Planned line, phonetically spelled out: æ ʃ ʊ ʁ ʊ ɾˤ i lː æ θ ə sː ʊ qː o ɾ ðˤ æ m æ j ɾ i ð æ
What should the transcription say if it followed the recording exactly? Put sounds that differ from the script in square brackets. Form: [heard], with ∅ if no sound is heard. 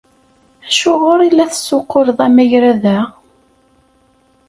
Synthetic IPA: æ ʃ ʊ ʁ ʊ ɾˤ i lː æ θ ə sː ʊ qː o ɾ ðˤ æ m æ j ɾ [æ] ð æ